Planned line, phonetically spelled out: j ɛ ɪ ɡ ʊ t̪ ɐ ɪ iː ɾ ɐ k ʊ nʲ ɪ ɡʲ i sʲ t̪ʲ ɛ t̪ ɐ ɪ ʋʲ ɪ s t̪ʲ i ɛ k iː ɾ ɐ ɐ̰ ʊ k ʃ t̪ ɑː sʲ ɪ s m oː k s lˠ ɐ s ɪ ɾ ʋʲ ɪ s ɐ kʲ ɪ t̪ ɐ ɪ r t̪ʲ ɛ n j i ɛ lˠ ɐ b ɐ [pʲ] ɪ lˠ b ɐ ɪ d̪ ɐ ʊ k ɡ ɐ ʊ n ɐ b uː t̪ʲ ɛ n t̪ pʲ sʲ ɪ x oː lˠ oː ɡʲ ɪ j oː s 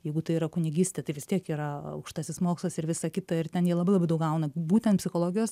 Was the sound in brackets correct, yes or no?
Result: no